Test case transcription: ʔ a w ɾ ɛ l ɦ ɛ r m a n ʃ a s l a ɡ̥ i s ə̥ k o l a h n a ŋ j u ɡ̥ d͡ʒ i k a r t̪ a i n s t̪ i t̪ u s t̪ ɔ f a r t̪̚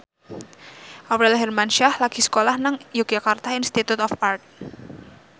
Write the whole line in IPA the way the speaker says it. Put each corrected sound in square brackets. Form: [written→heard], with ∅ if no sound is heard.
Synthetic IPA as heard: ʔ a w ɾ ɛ l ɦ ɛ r m a n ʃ a [s→h] l a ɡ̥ i s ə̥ k o l a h n a ŋ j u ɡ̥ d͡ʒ [i→a] k a r t̪ a i n s t̪ i t̪ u [s→∅] t̪ ɔ f a r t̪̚